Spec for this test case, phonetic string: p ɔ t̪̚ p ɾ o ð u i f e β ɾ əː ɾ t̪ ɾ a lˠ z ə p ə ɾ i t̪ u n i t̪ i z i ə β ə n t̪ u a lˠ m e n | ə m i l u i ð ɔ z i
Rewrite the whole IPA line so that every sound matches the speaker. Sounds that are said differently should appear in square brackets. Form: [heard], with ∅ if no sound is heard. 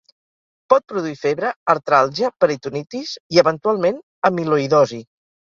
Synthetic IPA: p ɔ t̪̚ p ɾ [u] ð u i f e β ɾ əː ɾ t̪ ɾ a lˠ [ʒ] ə p ə ɾ i t̪ u n i t̪ i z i ə β ə n t̪ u a lˠ m e n | ə m i l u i ð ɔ z i